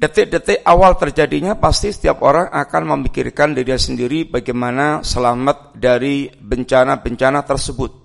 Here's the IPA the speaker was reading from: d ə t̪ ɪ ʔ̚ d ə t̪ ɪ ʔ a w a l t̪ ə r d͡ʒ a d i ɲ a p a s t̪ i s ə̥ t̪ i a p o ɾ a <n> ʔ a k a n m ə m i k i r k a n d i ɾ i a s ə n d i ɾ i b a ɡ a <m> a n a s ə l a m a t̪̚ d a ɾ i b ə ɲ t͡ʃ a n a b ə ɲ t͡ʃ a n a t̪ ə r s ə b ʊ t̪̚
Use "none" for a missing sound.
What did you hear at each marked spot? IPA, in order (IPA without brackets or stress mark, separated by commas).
ŋ, m